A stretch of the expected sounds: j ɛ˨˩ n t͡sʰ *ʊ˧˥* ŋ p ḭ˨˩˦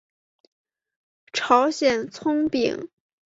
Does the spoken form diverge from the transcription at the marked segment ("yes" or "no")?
yes